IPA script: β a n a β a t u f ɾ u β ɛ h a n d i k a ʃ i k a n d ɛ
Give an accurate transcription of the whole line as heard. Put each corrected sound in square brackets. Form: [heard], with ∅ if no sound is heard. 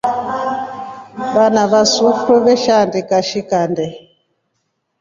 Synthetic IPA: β a n a β a [s] u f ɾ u β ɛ [ʃ] a n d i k a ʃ i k a n d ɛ

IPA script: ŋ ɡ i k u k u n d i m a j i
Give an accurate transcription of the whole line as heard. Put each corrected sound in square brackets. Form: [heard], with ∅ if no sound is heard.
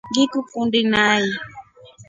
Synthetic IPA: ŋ ɡ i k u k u n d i [n] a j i

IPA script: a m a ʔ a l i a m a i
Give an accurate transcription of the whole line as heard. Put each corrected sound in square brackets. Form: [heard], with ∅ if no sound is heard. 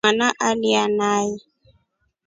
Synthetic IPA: a [n] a ʔ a l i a [n] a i

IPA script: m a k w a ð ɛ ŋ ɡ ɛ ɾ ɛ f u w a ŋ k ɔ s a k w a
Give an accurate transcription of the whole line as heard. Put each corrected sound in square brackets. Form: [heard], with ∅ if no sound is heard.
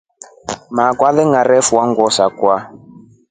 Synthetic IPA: m a k w a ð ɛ ŋ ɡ [a] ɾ ɛ f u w a ŋ [ɡ] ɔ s a k w a

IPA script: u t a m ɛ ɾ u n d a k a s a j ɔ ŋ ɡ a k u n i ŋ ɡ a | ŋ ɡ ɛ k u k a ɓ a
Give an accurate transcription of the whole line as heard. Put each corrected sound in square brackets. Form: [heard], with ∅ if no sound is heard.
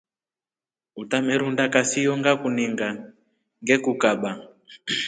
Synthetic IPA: u t a m ɛ ɾ u n d a k a s [i] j ɔ ŋ ɡ a k u n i ŋ ɡ a | ŋ ɡ ɛ k u k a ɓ a

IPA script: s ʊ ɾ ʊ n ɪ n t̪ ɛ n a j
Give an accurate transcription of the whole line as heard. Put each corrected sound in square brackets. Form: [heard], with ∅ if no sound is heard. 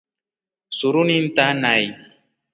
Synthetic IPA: s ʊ ɾ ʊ n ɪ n t̪ [a] n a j

